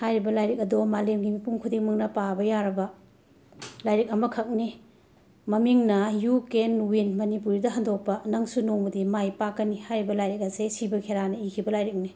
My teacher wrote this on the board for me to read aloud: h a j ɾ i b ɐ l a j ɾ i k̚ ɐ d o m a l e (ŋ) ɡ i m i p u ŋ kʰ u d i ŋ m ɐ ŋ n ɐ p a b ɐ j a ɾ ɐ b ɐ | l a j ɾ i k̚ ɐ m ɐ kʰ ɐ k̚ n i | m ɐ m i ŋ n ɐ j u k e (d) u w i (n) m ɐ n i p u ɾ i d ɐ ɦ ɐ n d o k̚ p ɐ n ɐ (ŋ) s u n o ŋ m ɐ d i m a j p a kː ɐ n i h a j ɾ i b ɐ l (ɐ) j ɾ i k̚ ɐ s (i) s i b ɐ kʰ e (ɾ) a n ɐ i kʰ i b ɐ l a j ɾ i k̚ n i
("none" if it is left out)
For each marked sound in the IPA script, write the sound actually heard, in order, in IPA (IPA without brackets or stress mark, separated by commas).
m, n, n, ŋ, a, e, ɾ